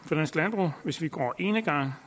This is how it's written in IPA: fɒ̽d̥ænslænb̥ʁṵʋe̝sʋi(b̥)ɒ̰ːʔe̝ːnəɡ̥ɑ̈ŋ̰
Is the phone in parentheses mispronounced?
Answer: yes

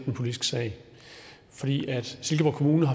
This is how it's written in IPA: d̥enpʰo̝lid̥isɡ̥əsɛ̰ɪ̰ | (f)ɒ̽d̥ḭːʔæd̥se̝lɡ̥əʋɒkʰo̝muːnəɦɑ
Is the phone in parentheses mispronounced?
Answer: no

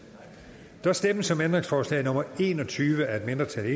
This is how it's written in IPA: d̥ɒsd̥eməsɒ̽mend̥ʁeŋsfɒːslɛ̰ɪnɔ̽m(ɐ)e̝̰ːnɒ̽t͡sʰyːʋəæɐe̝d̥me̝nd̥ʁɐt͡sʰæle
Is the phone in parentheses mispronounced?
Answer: no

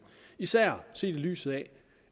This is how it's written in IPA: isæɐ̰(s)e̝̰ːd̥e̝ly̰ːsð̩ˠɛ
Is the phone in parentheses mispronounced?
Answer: no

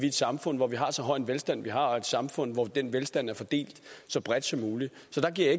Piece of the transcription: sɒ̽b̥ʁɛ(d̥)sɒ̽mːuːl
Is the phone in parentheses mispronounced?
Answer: no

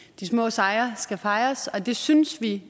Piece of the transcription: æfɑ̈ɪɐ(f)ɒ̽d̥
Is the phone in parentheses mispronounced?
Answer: yes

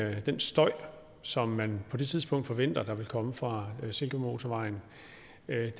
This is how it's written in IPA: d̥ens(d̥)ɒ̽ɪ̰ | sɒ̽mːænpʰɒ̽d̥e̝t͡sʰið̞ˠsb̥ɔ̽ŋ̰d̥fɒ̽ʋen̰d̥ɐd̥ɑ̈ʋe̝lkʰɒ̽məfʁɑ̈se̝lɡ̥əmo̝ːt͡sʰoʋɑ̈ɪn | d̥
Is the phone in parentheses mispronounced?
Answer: no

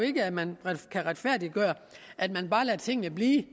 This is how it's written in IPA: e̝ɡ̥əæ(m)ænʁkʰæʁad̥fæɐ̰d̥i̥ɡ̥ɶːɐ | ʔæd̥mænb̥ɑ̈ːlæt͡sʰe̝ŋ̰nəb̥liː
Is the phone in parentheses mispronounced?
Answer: no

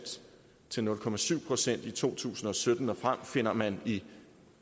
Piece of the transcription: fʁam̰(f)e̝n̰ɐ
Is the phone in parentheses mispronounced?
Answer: no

